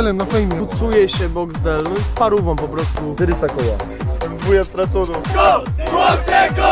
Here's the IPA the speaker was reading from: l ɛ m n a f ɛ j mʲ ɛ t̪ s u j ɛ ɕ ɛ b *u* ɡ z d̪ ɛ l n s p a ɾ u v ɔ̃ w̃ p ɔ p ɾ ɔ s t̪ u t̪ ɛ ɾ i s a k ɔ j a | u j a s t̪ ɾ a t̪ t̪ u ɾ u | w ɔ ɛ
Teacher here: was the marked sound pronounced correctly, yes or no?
no